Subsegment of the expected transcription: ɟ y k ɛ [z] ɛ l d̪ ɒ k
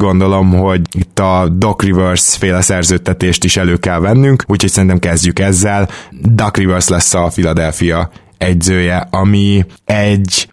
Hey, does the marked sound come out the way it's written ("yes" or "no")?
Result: no